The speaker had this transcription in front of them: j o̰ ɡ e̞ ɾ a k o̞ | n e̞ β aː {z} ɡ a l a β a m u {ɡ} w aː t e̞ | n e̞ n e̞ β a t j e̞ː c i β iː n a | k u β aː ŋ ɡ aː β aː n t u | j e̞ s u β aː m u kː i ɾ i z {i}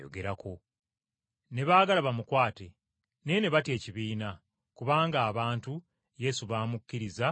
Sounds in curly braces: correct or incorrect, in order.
incorrect: none, incorrect: k, incorrect: a

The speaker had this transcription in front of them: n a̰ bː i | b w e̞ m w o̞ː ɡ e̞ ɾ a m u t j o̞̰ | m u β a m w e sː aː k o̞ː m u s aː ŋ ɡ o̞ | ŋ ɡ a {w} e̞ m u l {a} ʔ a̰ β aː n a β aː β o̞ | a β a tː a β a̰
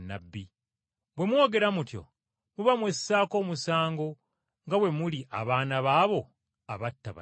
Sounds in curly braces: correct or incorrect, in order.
correct, incorrect: i

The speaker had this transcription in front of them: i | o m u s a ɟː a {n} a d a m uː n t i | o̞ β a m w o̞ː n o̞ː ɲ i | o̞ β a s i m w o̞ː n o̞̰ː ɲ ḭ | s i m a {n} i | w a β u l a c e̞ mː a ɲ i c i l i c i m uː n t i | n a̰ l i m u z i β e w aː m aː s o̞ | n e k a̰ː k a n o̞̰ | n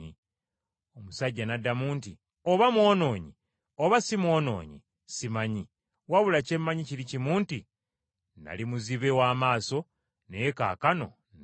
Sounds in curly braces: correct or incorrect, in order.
correct, incorrect: ɲ

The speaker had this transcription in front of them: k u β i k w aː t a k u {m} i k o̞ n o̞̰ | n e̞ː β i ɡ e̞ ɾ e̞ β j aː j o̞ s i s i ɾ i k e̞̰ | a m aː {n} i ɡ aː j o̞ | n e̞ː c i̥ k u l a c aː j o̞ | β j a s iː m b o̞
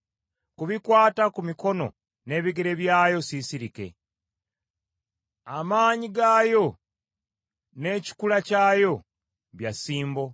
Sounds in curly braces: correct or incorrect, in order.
correct, incorrect: ɲ

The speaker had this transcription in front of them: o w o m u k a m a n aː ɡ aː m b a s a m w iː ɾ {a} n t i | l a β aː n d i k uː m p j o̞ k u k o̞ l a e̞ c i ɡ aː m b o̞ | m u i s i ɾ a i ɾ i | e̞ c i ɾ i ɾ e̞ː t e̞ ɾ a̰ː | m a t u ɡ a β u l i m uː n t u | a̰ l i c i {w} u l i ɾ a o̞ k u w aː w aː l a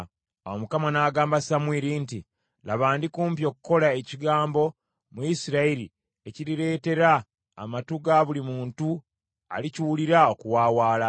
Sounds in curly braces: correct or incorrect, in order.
incorrect: i, correct

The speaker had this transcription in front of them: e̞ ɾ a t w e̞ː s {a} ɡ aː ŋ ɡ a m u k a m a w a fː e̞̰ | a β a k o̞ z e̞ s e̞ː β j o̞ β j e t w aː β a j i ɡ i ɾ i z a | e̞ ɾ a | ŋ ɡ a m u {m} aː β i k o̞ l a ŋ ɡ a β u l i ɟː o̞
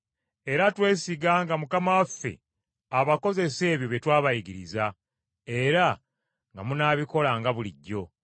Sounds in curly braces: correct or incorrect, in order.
incorrect: i, incorrect: n

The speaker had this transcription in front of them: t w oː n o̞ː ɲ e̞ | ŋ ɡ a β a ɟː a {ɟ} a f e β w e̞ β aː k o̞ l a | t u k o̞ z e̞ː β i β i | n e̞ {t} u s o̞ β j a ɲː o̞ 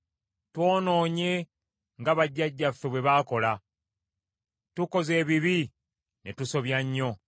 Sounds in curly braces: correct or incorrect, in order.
incorrect: ɟː, correct

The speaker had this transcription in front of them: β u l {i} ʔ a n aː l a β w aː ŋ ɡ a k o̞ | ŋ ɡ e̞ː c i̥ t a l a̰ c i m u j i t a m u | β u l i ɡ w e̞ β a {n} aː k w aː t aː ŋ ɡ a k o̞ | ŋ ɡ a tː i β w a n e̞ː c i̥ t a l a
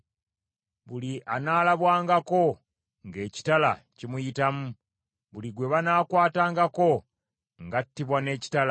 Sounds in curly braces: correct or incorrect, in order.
correct, correct

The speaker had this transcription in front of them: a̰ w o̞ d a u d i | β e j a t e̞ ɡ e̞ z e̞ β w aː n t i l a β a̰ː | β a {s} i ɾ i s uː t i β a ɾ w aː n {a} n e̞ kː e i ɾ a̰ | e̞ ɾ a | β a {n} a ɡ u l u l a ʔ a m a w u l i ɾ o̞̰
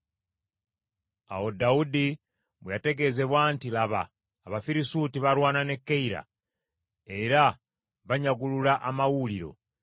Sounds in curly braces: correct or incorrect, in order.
incorrect: f, correct, incorrect: ɲ

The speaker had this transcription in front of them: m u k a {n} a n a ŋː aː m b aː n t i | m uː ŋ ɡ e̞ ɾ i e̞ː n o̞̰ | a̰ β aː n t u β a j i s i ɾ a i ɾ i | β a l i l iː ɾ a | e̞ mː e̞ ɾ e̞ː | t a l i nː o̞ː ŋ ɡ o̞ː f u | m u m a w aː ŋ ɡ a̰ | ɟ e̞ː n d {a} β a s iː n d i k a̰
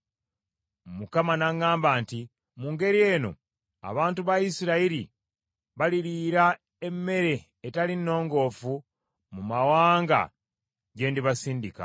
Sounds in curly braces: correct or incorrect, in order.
incorrect: m, incorrect: i

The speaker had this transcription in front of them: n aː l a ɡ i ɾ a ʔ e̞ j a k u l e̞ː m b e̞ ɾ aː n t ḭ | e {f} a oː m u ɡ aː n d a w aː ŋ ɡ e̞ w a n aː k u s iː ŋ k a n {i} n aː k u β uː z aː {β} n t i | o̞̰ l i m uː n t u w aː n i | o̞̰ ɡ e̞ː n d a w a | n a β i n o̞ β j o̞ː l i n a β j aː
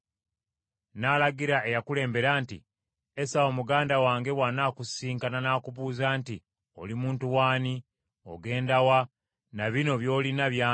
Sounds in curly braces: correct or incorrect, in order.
incorrect: s, incorrect: a, incorrect: none

